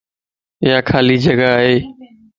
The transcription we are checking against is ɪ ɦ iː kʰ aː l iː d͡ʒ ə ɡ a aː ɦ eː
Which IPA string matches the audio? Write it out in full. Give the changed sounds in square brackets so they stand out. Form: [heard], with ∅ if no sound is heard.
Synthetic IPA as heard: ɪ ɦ [aː] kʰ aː l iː d͡ʒ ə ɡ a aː ɦ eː